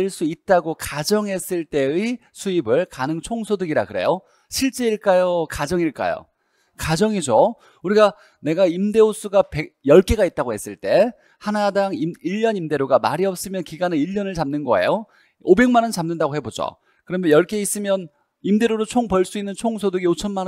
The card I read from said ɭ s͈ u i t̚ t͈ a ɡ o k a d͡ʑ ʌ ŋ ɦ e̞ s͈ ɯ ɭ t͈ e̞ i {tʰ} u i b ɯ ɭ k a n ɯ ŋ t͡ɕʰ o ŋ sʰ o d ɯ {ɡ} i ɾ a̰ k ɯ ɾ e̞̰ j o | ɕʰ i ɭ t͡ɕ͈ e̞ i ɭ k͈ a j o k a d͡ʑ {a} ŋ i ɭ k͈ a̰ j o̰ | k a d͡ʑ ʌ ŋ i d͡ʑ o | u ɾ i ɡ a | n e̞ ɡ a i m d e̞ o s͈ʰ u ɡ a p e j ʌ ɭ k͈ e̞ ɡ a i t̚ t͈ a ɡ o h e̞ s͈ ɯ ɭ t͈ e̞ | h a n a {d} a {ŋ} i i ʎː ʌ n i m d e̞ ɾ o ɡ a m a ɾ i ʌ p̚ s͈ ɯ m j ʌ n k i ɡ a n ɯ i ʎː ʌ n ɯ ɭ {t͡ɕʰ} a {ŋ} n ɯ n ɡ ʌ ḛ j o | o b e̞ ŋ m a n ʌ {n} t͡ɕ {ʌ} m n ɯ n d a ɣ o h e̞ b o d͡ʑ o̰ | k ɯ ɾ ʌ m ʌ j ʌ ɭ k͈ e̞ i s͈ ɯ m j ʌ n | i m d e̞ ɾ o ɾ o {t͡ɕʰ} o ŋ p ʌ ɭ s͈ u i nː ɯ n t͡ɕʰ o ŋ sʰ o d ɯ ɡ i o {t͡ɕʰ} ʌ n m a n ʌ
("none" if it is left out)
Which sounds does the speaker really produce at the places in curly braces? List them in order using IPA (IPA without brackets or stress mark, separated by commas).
sʰ, ɡ, ʌ, d, ŋ, t͡ɕ, m, n, a, t͡ɕʰ, t͡ɕʰ